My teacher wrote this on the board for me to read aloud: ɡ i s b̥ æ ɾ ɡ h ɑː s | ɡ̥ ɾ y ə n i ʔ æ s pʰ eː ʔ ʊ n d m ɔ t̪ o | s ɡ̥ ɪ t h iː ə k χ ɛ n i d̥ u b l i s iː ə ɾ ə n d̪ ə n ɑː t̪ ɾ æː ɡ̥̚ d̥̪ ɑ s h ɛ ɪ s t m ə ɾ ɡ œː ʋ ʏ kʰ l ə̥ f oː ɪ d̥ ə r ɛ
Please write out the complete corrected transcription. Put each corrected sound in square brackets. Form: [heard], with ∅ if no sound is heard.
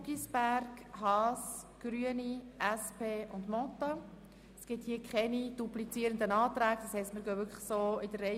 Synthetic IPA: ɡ i s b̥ æ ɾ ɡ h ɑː s | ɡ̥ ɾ y ə n i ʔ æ s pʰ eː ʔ ʊ n d m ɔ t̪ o | s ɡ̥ ɪ t h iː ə k χ ɛ n i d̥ u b l i [t͡s] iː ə ɾ ə n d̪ ə n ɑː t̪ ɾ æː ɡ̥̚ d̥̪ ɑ s h ɛ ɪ s t m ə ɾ ɡ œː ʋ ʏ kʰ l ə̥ [s] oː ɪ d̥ ə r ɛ